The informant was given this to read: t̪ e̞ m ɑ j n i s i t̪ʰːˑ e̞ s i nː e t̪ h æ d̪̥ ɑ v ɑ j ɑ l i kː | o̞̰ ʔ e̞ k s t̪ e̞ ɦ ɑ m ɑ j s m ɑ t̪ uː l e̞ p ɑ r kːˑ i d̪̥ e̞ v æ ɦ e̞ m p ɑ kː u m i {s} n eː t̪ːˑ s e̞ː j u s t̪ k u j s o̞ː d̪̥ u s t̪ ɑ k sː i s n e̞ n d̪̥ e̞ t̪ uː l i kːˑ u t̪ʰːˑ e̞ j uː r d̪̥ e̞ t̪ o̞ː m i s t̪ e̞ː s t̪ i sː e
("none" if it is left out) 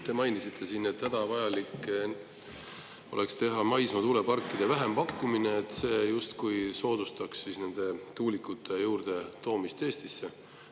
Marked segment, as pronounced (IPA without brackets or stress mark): none